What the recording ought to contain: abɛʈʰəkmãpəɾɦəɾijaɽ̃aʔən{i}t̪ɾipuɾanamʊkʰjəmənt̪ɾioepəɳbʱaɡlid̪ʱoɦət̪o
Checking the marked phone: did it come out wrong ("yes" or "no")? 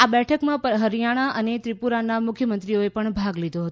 yes